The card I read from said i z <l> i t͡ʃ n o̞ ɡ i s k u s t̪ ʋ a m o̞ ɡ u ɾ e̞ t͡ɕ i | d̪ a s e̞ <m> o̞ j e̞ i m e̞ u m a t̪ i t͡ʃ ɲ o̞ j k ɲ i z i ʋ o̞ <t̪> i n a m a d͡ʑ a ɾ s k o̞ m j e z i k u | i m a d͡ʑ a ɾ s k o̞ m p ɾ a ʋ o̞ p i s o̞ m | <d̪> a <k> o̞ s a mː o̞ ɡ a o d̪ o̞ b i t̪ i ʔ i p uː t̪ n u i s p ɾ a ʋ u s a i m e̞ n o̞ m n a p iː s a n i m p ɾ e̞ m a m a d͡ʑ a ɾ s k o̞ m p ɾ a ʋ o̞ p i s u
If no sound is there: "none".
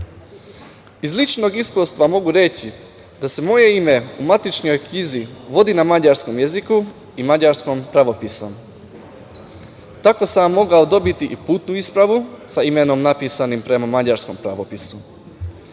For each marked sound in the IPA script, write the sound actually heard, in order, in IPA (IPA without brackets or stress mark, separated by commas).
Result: l, m, d̪, t̪, k